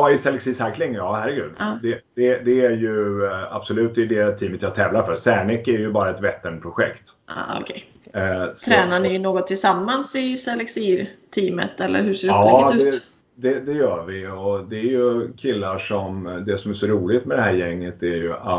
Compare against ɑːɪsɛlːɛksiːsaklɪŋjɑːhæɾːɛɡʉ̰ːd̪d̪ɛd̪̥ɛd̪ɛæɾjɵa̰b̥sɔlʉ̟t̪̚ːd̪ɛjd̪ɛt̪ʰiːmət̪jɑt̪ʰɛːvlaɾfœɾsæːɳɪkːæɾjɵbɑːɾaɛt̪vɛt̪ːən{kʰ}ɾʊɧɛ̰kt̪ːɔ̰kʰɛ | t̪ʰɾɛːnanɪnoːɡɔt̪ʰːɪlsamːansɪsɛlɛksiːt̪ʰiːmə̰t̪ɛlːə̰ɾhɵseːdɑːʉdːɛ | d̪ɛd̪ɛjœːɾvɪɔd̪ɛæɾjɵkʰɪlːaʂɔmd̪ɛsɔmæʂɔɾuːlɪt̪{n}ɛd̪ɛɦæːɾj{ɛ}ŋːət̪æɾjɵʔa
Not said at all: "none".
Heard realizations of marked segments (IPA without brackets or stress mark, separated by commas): pʰ, m, ɛ